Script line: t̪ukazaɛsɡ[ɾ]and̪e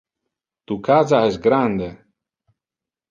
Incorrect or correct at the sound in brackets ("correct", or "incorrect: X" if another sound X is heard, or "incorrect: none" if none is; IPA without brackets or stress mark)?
correct